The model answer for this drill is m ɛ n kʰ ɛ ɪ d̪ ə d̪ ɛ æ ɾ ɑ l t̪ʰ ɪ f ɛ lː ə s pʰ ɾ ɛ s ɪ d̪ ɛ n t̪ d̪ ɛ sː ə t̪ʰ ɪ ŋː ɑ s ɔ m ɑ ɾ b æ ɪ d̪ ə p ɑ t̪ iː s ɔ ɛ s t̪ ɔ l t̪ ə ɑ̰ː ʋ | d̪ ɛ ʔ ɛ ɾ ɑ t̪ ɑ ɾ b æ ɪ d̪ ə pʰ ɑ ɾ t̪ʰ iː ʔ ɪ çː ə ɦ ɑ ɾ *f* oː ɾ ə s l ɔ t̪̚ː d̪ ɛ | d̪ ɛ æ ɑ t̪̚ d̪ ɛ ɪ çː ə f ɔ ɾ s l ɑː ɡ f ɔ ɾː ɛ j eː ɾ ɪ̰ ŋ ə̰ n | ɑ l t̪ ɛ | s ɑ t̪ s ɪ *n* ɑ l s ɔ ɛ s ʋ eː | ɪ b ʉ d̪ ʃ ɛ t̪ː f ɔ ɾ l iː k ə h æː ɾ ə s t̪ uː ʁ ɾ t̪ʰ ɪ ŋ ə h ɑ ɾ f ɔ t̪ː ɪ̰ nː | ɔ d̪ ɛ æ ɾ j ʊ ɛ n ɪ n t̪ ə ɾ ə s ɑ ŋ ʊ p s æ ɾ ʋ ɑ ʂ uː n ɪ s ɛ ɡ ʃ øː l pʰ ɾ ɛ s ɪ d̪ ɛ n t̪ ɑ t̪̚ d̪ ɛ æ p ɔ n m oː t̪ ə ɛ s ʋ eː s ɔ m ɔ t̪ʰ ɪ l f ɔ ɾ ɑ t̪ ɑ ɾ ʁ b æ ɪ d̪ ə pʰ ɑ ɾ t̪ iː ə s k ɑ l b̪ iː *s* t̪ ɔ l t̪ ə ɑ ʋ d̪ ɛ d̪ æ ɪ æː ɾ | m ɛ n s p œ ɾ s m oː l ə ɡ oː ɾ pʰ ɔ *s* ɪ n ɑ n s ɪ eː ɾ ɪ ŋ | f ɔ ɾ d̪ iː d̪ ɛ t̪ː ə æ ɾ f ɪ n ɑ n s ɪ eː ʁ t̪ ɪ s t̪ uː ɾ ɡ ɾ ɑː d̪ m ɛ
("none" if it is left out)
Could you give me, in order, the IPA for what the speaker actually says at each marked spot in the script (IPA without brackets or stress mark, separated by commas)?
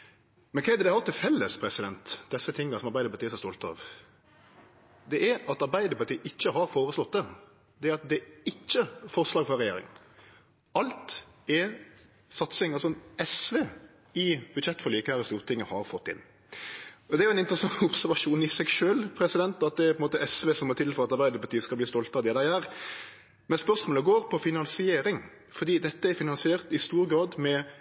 f, ŋ, s, f